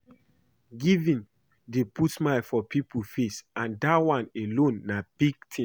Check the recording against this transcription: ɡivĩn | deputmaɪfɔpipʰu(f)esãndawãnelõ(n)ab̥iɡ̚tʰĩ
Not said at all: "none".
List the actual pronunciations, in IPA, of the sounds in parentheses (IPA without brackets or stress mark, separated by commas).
f, nː